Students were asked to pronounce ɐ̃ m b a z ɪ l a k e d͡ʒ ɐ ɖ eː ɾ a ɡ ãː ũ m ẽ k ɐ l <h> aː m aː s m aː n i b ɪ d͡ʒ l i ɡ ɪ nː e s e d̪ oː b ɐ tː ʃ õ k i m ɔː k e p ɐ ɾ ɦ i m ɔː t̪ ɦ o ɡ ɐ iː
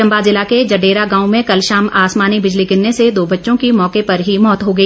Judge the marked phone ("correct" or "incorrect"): incorrect